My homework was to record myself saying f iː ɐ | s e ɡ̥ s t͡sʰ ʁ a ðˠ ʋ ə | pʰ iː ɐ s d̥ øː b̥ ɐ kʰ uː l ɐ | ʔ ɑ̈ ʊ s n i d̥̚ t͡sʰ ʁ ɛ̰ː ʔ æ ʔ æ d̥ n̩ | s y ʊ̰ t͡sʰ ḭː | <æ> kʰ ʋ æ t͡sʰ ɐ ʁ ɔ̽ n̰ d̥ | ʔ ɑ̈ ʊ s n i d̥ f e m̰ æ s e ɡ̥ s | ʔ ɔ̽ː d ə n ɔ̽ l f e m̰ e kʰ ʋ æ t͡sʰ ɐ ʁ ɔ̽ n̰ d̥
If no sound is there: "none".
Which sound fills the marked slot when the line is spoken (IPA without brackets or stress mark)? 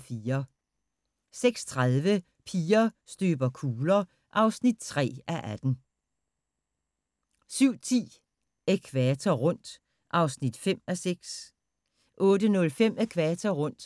e